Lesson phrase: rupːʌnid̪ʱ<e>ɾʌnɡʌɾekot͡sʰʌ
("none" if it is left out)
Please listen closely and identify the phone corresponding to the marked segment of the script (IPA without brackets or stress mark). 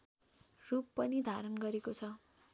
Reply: a